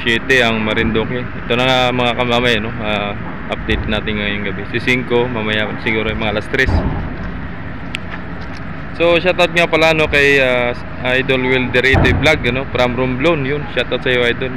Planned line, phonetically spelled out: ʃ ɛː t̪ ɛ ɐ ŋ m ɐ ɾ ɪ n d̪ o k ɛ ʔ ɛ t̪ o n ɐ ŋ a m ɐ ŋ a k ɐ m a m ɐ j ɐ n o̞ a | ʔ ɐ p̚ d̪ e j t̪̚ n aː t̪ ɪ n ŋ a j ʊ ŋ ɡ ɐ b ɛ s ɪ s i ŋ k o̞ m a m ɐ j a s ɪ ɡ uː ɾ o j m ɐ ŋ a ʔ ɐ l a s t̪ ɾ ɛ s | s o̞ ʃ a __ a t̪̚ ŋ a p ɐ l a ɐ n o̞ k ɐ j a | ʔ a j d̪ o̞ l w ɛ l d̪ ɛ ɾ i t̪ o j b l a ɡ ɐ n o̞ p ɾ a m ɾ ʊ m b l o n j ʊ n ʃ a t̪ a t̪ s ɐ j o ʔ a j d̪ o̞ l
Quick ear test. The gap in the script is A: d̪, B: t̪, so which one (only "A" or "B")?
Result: B